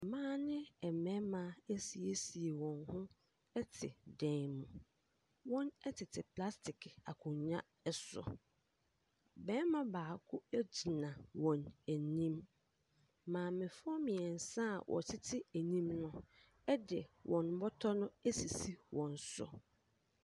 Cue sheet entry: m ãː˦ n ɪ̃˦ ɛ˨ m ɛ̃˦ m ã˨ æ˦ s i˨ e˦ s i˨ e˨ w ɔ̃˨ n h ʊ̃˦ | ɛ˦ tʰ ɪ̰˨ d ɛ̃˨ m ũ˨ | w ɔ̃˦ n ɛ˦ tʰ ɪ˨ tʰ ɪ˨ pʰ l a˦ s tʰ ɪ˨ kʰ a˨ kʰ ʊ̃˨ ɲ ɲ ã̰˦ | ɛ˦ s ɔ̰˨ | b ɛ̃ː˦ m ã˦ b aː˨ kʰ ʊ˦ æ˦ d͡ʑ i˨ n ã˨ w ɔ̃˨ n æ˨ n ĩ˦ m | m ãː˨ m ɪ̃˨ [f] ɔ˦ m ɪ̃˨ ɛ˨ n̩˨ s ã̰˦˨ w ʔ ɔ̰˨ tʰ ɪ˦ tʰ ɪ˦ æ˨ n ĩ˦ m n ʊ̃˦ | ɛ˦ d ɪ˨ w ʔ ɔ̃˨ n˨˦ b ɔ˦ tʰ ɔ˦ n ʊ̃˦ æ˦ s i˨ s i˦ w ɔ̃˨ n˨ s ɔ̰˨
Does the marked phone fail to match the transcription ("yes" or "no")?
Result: no